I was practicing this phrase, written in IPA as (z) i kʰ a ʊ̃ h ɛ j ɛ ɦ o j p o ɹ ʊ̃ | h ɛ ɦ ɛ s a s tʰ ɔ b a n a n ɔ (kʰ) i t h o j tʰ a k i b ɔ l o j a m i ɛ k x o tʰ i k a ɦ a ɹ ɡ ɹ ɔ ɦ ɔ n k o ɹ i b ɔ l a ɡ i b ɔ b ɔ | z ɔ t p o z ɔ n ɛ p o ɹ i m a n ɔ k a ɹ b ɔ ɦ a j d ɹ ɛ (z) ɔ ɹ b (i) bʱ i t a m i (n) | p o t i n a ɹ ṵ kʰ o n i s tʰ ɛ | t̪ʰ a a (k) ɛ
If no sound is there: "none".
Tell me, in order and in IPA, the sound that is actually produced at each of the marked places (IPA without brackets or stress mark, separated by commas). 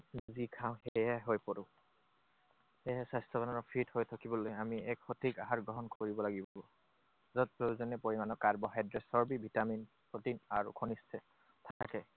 z, pʰ, s, i, n, k